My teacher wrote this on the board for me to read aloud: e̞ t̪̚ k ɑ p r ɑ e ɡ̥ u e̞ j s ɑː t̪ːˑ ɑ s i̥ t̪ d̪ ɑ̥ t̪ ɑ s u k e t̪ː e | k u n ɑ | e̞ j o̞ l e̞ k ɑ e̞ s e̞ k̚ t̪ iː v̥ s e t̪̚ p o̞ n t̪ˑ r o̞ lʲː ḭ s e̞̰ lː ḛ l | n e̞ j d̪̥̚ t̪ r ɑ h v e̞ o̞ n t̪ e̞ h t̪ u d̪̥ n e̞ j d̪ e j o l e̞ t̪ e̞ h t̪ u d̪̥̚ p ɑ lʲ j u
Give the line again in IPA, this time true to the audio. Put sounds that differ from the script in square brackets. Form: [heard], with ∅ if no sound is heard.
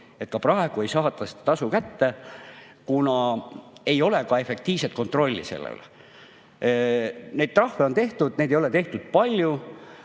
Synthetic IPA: e̞ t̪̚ k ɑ p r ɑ e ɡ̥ u e̞ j s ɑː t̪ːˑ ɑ s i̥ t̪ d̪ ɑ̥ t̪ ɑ s u k [æ] t̪ː e | k u n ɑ | e̞ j o̞ l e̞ k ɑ e̞ [f] e̞ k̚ t̪ iː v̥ s e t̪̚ [k] o̞ n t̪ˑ r o̞ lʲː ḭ s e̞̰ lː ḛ l | n e̞ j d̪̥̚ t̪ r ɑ h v e̞ o̞ n t̪ e̞ h t̪ u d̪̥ n e̞ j d̪ e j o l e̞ t̪ e̞ h t̪ u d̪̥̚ p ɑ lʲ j u

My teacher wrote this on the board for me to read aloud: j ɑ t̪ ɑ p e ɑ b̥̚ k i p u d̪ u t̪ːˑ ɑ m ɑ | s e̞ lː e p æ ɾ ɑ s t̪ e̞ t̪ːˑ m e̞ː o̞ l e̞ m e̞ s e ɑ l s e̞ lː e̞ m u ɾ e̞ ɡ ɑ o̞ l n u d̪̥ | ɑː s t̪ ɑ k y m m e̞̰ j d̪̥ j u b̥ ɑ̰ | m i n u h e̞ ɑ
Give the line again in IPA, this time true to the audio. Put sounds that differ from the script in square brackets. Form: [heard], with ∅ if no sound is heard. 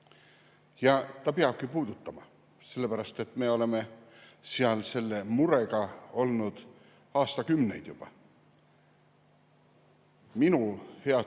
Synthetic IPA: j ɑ t̪ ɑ p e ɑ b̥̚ k i p [uː] d̪ u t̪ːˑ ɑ m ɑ | s e̞ lː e p æ ɾ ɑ s t̪ e̞ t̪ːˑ m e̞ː o̞ l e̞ m e̞ s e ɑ l s e̞ lː e̞ m u ɾ e̞ ɡ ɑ o̞ l n u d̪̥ | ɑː s t̪ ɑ k y m [n] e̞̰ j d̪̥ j u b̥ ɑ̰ | m i n u h e̞ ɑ

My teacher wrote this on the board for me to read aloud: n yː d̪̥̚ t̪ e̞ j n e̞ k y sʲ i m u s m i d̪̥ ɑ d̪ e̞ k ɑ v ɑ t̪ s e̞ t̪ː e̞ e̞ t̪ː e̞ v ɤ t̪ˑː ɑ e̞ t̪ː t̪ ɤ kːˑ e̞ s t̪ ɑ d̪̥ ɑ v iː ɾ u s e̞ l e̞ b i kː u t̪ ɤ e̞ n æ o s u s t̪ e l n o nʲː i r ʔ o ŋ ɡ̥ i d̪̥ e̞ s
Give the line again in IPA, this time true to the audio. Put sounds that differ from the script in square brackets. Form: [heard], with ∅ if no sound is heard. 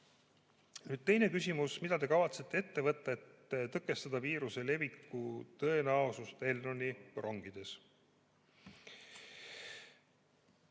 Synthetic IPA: n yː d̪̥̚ t̪ e̞ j n e̞ k y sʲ i m u s m i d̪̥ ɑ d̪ e̞ k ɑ v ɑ t̪ s e̞ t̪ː e̞ e̞ t̪ː e̞ v ɤ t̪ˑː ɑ e̞ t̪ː t̪ ɤ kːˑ e̞ s t̪ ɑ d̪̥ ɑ v iː ɾ u s e̞ l e̞ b i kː u t̪ ɤ e̞ n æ o s u s t̪ e l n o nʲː i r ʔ o ŋ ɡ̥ i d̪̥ e̞ s

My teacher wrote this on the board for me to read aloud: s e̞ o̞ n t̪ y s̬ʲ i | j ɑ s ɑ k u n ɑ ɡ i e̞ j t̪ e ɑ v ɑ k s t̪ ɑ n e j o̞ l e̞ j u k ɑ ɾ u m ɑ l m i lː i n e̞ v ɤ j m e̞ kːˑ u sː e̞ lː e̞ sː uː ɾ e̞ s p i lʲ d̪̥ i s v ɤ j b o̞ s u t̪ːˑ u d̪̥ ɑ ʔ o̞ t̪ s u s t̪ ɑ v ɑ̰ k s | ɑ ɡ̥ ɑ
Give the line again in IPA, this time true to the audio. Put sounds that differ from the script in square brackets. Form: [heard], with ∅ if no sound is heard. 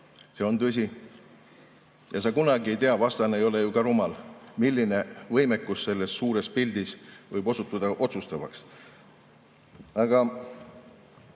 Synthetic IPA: s e̞ o̞ n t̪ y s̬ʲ i | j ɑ s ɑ k u n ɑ ɡ i e̞ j t̪ e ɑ v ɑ [∅] s t̪ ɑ n e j o̞ l e̞ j u k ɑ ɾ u m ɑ l m i lː i n e̞ v ɤ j m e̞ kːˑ u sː e̞ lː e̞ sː uː ɾ e̞ s p i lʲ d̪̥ i s v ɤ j b o̞ s u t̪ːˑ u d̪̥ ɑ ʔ o̞ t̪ s u s t̪ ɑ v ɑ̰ k s | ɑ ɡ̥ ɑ

